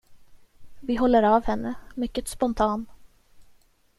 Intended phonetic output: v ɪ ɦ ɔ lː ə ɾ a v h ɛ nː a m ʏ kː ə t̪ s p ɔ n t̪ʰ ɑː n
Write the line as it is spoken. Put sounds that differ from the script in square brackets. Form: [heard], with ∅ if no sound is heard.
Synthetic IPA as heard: v ɪ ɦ ɔ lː ə ɾ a v h ɛ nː [ə] m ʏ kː ə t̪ s p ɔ n t̪ʰ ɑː n